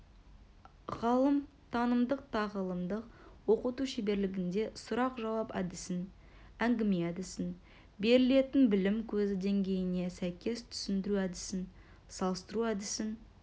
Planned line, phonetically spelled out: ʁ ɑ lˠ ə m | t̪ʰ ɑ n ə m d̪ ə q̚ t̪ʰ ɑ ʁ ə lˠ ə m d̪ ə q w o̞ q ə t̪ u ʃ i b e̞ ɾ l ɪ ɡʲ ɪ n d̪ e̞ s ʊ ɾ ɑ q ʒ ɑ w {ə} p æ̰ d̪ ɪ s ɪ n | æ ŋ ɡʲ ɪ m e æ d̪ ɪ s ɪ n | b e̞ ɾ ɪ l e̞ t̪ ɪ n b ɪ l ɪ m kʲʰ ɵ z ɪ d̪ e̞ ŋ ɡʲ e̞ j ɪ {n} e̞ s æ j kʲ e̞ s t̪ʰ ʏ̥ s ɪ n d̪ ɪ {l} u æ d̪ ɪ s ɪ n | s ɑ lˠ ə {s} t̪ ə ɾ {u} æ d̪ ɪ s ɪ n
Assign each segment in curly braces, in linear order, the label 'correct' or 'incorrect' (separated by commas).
incorrect, correct, incorrect, correct, correct